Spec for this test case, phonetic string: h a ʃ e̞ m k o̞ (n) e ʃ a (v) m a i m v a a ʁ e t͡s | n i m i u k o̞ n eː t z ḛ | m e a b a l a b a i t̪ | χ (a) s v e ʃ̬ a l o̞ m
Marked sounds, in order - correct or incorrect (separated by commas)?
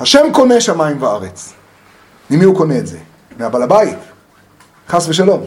correct, incorrect, correct